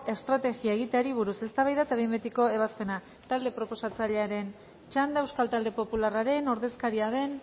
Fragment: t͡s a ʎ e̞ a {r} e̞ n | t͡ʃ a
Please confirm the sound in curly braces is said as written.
no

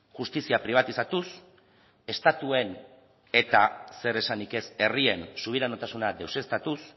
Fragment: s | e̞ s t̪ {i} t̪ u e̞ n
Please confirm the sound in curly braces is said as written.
no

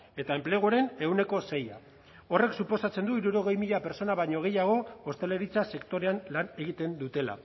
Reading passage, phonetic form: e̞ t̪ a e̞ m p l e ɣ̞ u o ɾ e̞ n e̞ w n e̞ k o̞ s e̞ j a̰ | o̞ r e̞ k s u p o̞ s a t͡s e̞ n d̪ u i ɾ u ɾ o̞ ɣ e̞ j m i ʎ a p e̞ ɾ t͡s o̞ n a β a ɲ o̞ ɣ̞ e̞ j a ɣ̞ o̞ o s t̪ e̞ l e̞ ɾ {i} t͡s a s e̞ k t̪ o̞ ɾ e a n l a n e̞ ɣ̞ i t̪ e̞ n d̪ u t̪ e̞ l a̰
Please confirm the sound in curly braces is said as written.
yes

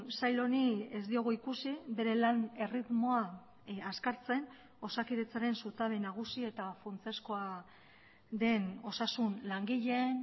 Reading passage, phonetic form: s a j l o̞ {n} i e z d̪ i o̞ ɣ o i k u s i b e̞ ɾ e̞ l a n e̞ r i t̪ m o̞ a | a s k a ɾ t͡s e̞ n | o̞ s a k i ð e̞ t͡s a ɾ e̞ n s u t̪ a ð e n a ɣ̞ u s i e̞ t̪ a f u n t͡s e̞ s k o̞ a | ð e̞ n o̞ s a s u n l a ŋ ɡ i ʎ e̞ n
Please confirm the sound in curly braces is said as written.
yes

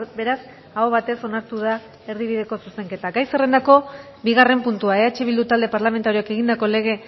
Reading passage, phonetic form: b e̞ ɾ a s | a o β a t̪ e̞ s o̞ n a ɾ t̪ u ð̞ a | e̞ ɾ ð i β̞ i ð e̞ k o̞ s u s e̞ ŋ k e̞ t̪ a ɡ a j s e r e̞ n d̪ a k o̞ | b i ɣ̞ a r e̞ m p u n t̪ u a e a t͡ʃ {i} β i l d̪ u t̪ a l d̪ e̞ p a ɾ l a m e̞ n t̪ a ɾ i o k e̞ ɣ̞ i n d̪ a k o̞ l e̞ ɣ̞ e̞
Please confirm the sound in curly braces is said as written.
no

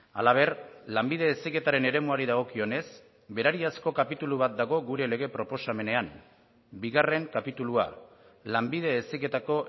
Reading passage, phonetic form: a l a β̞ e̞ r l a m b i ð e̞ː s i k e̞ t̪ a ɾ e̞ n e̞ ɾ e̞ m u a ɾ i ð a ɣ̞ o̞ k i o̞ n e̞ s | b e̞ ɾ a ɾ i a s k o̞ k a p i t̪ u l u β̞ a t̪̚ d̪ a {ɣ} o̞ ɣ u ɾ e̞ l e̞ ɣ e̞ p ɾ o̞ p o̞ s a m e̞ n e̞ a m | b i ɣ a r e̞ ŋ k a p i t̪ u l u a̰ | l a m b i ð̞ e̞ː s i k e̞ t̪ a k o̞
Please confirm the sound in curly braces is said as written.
yes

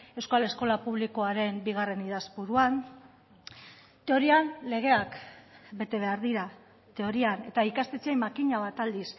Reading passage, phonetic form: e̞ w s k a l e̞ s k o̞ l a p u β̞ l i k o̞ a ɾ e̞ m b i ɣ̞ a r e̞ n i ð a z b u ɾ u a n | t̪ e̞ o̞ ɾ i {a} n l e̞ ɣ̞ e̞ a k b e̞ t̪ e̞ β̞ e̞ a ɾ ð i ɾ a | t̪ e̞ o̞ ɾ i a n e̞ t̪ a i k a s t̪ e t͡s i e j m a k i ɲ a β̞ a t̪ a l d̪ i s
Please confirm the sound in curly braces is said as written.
yes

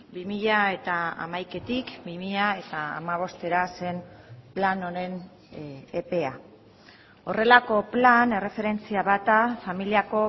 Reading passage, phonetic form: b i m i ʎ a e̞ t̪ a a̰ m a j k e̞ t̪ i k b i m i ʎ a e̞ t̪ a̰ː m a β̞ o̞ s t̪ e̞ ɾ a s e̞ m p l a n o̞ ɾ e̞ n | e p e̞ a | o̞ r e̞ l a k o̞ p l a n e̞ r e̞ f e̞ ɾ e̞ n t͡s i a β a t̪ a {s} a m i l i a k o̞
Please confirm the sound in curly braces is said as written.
no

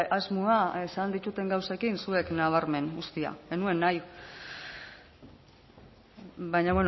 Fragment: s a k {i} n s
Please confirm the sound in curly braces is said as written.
yes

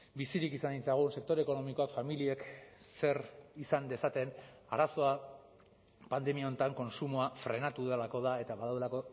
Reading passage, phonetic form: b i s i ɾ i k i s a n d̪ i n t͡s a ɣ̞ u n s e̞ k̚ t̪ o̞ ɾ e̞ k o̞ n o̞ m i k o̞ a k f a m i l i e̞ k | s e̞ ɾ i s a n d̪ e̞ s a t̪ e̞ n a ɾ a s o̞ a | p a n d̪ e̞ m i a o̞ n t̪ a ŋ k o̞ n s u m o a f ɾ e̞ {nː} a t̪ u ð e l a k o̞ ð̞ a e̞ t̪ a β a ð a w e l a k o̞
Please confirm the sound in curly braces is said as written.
no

